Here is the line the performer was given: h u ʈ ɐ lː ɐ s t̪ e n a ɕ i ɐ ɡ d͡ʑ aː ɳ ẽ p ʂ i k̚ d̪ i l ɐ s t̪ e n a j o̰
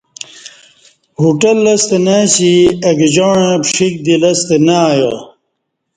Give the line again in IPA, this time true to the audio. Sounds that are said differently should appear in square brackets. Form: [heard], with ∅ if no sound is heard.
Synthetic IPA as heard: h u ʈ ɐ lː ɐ s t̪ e n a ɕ i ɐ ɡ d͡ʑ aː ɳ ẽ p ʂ i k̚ d̪ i l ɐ s t̪ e n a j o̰